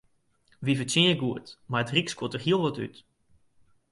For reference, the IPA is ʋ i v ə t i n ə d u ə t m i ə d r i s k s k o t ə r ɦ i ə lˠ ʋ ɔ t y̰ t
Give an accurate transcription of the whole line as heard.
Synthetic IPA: ʋ i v ə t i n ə ɡ u ə t m a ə t r i k s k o t ə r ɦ i ə lˠ ʋ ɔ t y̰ t